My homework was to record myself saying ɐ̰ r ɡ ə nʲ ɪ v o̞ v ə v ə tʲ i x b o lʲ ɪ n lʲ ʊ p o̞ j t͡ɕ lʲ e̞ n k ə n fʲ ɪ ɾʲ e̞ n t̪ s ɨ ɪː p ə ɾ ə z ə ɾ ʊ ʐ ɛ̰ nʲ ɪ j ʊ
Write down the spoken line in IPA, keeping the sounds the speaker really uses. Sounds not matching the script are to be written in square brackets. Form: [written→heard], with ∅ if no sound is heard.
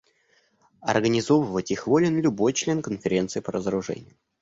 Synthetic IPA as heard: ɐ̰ r ɡ ə nʲ ɪ [v→z] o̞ v ə v ə tʲ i x [b→v] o lʲ ɪ n lʲ ʊ [p→b] o̞ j t͡ɕ lʲ e̞ n k ə n fʲ ɪ ɾʲ e̞ n t̪ s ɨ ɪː p ə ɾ ə z ə ɾ ʊ ʐ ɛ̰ nʲ ɪ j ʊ